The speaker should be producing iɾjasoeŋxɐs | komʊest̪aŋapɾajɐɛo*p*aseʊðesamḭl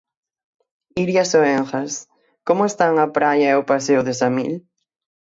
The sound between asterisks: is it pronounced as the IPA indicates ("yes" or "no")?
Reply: yes